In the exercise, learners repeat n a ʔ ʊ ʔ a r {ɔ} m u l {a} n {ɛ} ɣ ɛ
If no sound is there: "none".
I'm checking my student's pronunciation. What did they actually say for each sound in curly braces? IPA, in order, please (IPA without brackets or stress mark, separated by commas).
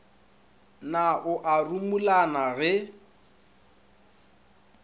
u, a, a